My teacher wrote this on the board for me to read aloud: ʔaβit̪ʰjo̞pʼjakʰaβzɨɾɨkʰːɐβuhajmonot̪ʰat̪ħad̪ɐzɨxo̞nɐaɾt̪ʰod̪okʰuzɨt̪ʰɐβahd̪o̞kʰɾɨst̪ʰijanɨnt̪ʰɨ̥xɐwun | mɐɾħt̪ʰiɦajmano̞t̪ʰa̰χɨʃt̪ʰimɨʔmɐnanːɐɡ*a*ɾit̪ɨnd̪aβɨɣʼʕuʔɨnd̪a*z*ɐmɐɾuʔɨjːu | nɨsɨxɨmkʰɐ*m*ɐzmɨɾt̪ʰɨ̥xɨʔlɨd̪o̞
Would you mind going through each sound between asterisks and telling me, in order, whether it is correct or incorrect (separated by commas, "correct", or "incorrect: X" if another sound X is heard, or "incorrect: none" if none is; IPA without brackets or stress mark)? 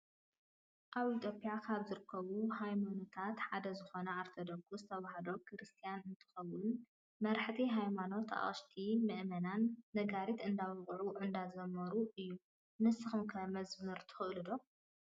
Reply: correct, correct, correct